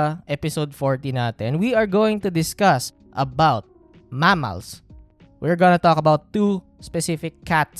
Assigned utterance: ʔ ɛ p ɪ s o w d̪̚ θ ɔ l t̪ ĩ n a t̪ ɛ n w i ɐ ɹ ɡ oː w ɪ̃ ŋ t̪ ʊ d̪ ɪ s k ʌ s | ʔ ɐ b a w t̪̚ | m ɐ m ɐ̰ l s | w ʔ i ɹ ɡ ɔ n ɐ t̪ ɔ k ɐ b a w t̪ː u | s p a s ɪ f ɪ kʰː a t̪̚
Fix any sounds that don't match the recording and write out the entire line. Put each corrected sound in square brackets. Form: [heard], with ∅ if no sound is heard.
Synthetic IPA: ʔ ɛ p ɪ s o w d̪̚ [f] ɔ [ɹ] t̪ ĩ n a t̪ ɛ n w i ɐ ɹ ɡ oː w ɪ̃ ŋ t̪ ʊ d̪ ɪ s k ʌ s | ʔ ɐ b a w t̪̚ | m [a] m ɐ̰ l s | w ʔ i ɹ ɡ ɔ n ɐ t̪ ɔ k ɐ b a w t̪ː u | s p [ɛ] s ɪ f ɪ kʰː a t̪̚